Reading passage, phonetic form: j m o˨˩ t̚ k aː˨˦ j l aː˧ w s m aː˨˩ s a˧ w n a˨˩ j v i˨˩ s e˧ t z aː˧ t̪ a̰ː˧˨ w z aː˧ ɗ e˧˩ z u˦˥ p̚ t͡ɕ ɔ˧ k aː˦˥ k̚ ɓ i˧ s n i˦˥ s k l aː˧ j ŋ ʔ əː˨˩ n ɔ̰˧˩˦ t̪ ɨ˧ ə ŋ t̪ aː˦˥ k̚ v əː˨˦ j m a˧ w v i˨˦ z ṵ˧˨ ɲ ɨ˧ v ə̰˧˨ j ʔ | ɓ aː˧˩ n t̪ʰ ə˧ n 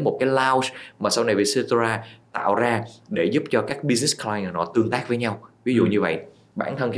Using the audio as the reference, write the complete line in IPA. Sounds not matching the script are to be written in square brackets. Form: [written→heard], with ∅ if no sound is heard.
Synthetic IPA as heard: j m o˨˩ t̚ k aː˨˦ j l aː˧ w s m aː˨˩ s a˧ w n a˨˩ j v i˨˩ s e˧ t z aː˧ t̪ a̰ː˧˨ w z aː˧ ɗ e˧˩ z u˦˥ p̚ t͡ɕ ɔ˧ k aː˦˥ k̚ ɓ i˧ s n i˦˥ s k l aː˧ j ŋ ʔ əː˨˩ n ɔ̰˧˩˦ t̪ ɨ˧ ə ŋ t̪ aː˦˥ k̚ v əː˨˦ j [m→ɲ] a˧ w v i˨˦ z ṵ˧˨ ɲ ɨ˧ v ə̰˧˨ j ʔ | ɓ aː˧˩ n t̪ʰ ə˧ n